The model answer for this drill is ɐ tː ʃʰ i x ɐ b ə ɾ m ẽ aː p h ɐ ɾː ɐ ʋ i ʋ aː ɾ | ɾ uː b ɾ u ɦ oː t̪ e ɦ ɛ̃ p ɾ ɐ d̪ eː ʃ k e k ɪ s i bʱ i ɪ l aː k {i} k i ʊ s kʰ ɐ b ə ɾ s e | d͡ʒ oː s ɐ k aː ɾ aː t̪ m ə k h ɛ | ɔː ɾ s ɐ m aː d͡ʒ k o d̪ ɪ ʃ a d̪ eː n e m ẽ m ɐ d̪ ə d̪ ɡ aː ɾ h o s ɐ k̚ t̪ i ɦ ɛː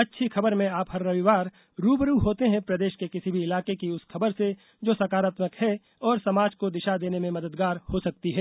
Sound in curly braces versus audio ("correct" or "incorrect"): incorrect